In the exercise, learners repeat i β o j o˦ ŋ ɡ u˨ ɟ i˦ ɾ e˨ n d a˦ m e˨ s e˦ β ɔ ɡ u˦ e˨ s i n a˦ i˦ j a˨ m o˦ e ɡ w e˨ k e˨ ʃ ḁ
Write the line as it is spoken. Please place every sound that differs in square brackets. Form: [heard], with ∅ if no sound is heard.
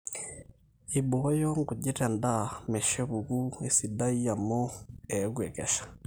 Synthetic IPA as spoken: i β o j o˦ ŋ ɡ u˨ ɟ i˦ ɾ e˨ n d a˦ m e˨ [ʃ] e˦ β [u] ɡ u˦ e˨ s i [d] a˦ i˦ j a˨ m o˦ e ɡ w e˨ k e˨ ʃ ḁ